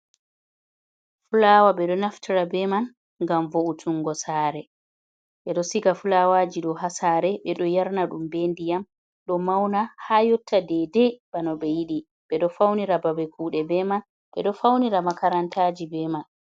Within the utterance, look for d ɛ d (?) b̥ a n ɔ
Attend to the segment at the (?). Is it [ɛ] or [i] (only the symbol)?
ɛ